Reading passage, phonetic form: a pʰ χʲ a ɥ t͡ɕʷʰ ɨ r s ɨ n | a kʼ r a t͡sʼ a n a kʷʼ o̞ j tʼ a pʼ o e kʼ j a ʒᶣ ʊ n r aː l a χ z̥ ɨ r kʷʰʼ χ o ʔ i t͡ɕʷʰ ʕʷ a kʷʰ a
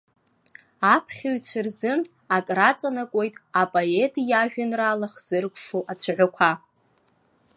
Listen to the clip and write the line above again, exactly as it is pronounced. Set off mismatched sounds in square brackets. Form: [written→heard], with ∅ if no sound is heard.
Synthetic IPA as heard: a pʰ χʲ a ɥ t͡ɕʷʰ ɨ r [s→z] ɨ n | a kʼ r a t͡sʼ a n a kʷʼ o̞ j tʼ a pʼ o e [kʼ→tʼ] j a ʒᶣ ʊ n r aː l a χ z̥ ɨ r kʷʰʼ [χ→ʂ] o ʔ [i→a] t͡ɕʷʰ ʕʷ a kʷʰ a